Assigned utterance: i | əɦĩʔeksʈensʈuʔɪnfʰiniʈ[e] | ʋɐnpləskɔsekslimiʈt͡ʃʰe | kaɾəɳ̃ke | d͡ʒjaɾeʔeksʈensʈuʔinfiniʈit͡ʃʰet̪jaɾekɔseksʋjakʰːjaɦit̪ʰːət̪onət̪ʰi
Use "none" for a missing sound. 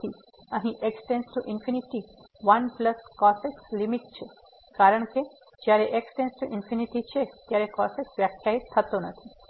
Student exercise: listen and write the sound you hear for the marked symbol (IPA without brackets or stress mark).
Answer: i